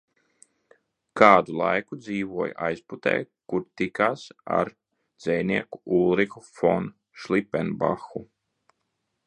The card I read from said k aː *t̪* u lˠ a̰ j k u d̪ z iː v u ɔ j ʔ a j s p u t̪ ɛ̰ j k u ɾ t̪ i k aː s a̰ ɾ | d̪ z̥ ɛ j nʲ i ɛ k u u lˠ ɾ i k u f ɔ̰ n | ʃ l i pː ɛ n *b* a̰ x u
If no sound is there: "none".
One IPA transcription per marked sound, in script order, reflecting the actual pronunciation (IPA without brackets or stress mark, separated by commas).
d̪, b